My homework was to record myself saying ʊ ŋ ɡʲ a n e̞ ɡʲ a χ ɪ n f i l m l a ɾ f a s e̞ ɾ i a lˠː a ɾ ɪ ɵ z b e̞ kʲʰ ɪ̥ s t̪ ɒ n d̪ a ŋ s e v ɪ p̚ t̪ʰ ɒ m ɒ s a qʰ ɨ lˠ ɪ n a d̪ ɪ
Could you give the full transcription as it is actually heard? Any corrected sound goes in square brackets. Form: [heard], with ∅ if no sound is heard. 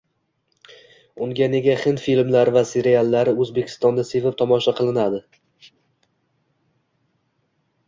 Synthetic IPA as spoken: ʊ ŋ ɡʲ a n e̞ ɡʲ a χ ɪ n f i l m l a ɾ [v] a s e̞ ɾ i a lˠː a ɾ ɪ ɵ z b e̞ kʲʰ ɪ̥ s t̪ ɒ n d̪ a [∅] s e v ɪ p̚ t̪ʰ ɒ m ɒ [ʃ] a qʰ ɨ lˠ ɪ n a d̪ ɪ

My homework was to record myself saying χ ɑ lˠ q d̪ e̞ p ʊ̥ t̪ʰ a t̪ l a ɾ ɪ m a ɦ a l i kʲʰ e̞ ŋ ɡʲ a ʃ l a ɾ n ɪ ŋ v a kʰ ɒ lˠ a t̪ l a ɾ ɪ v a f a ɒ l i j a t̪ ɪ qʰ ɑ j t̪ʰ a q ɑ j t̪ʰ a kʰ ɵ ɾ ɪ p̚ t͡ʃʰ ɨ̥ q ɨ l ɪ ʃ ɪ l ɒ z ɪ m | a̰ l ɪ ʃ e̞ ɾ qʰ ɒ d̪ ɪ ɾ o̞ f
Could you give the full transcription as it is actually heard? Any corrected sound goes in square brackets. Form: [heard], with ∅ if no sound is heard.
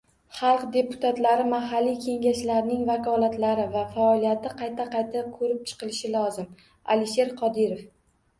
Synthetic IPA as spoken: χ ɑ lˠ q d̪ e̞ p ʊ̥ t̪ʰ a t̪ l a ɾ ɪ m a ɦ a [lː] i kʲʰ e̞ ŋ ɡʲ a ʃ l a ɾ n ɪ ŋ v a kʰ ɒ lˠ a t̪ l a ɾ ɪ v a f a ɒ l i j a t̪ ɪ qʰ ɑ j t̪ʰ a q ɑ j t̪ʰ a kʰ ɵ ɾ ɪ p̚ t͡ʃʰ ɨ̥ q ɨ l ɪ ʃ ɪ l ɒ z ɪ m | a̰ l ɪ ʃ e̞ ɾ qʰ ɒ d̪ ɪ ɾ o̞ f

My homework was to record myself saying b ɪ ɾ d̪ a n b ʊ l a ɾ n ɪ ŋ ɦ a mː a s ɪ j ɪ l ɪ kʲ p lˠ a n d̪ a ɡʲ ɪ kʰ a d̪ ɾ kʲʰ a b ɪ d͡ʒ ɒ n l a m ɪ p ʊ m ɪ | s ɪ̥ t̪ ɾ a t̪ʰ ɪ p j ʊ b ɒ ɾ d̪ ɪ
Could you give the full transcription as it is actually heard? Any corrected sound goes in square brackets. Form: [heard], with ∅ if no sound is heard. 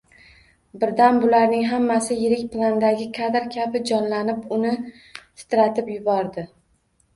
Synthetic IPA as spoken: b ɪ ɾ d̪ a n b ʊ l a ɾ n ɪ ŋ ɦ a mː a s ɪ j ɪ [ɾ] ɪ kʲ p lˠ a n d̪ a ɡʲ ɪ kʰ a d̪ ɾ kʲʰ a b ɪ d͡ʒ ɒ n l a [n] ɪ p ʊ [n] ɪ | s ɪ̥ t̪ ɾ a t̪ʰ ɪ p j ʊ b ɒ ɾ d̪ ɪ

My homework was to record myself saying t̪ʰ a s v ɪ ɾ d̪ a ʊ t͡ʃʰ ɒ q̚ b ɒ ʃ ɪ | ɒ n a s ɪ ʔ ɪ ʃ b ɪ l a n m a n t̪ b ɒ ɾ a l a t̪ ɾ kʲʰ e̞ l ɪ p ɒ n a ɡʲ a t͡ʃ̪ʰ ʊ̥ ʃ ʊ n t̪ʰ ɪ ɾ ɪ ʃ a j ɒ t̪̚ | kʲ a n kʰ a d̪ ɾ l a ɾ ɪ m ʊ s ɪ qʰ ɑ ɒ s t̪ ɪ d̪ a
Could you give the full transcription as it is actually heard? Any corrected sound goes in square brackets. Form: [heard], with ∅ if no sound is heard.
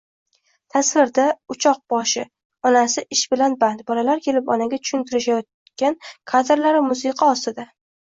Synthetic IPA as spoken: t̪ʰ a s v ɪ ɾ d̪ a ʊ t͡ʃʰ ɒ q̚ b ɒ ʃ ɪ | ɒ n a s ɪ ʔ ɪ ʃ b ɪ l a n [b] a n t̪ b ɒ [l] a l a [∅] ɾ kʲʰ e̞ l ɪ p ɒ n a ɡʲ a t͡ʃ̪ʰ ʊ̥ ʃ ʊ n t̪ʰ ɪ ɾ ɪ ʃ a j ɒ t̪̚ | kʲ a n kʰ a d̪ ɾ l a ɾ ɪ m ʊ s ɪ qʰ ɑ ɒ s t̪ ɪ d̪ a

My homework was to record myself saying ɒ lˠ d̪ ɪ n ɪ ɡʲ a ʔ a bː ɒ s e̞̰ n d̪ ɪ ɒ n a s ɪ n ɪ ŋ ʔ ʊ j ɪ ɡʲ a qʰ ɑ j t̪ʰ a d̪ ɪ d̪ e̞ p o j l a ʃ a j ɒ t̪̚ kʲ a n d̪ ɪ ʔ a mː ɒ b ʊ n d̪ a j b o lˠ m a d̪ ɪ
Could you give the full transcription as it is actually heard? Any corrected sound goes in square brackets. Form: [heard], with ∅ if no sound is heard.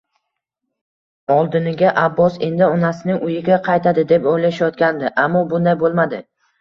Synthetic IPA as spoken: ɒ lˠ d̪ ɪ n ɪ ɡʲ a ʔ a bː ɒ s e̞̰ n d̪ ɪ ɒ n a s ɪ n ɪ ŋ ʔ ʊ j ɪ ɡʲ a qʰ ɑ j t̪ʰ a d̪ ɪ d̪ e̞ p o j l a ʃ a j ɒ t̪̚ kʲ a n d̪ ɪ ʔ a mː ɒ b ʊ n d̪ a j b o lˠ m a d̪ ɪ

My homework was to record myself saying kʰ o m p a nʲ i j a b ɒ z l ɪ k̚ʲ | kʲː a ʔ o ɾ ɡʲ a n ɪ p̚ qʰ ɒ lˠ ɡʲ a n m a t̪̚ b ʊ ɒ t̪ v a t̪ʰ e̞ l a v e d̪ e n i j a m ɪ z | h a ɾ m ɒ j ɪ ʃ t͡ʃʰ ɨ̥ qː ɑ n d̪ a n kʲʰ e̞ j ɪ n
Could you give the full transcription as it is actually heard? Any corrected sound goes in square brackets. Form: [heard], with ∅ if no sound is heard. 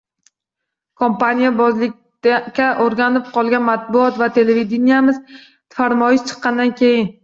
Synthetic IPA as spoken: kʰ o m p a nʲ i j a b ɒ z l ɪ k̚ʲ | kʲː a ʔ o ɾ ɡʲ a n ɪ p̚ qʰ ɒ lˠ ɡʲ a n m a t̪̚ b ʊ ɒ t̪ v a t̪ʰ e̞ l [e] v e d̪ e n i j a m ɪ z | [f] a ɾ m ɒ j ɪ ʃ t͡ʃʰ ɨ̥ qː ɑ n d̪ a n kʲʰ e̞ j ɪ n

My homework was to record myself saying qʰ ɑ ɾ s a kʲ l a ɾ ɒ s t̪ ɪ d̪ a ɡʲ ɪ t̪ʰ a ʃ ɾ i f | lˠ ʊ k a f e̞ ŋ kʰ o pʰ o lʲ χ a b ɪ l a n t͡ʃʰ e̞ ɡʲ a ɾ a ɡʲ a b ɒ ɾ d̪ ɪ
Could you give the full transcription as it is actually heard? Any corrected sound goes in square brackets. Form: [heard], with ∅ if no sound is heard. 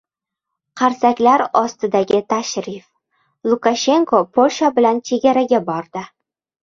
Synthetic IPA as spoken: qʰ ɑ ɾ s a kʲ l a ɾ ɒ s t̪ ɪ d̪ a ɡʲ ɪ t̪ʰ a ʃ ɾ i f | lˠ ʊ k a [ʃ] e̞ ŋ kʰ o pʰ o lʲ [ʃ] a b ɪ l a n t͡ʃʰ e̞ ɡʲ a ɾ a ɡʲ a b ɒ ɾ d̪ ɪ

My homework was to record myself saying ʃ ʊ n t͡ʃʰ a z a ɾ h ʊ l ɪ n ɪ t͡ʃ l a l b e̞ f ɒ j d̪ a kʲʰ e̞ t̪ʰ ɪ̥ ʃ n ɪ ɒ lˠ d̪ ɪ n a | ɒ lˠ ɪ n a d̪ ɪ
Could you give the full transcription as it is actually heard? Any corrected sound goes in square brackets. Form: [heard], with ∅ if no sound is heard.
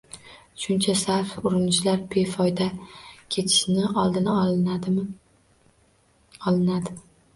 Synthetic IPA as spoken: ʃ ʊ n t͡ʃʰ a [s] a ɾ [f] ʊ [ɾ] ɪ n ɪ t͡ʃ l a [ɾ] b e̞ f ɒ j d̪ a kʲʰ e̞ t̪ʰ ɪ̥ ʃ n ɪ ɒ lˠ d̪ ɪ n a | ɒ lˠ ɪ n a d̪ ɪ

